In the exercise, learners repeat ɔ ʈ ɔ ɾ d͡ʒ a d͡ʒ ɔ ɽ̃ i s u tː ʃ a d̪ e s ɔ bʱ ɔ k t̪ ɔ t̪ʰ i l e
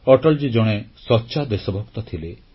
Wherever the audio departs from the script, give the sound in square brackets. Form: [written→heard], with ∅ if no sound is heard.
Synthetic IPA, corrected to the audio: ɔ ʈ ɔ [ɾ→l] d͡ʒ [a→i] d͡ʒ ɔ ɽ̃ [i→e] s [u→ɔ] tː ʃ a d̪ e s ɔ bʱ ɔ k t̪ ɔ t̪ʰ i l e